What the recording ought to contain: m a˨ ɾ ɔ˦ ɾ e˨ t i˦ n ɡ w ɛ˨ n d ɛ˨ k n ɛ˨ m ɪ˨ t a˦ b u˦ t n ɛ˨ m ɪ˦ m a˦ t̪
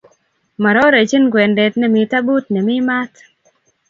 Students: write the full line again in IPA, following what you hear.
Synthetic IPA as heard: m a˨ ɾ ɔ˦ ɾ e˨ t͡ʃ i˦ n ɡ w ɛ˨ n d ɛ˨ t n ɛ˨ m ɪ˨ t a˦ b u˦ t n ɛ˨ m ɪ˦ m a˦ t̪